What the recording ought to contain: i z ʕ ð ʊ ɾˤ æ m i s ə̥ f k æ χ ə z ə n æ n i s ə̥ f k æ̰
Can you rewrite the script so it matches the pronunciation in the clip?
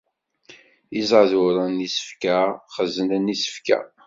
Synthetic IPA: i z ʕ ð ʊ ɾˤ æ n i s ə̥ f k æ χ ə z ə n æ n i s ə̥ f k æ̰